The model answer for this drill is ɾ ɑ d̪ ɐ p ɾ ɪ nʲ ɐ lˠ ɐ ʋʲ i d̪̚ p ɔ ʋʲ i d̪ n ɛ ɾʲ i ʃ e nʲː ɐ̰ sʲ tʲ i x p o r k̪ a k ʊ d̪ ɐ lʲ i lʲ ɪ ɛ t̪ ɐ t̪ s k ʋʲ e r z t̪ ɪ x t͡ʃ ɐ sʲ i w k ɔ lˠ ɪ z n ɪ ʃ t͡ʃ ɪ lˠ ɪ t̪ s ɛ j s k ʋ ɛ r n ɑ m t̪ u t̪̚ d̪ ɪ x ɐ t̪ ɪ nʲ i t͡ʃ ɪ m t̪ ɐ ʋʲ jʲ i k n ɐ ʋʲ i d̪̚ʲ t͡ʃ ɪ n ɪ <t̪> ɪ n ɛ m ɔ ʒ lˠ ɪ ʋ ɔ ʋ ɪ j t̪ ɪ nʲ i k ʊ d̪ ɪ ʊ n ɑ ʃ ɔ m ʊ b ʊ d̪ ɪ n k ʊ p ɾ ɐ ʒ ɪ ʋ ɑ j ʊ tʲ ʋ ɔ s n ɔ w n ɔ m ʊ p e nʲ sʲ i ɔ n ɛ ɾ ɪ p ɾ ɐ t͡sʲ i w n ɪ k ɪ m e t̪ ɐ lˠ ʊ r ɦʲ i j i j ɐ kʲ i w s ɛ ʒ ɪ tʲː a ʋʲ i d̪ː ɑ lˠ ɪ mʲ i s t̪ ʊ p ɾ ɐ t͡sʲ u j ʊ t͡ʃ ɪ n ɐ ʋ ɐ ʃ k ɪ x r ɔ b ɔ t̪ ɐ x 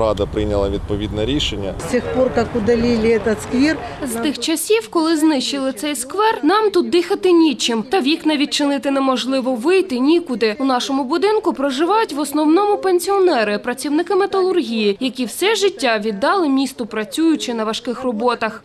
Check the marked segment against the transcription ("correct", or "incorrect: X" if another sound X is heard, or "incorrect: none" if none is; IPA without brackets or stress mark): correct